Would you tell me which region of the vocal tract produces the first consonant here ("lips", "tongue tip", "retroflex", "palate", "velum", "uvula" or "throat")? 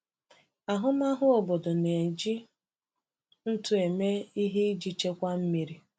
throat